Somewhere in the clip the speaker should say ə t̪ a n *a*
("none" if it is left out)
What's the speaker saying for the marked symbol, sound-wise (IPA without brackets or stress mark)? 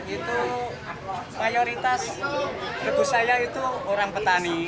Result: i